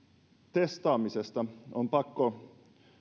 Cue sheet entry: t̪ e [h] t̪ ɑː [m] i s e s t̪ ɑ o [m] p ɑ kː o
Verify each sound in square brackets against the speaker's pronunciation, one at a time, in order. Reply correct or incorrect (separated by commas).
incorrect, correct, correct